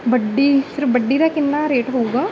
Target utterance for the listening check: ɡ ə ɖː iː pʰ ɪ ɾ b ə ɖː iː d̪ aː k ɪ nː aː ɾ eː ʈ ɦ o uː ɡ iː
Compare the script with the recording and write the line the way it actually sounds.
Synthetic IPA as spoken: b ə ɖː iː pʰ ɪ ɾ b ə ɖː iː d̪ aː k ɪ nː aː ɾ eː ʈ ɦ o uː ɡ aː